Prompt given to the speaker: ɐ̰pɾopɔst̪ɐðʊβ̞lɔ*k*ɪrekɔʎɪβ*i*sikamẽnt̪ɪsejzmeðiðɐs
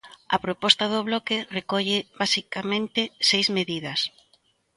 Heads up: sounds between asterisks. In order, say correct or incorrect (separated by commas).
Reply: correct, incorrect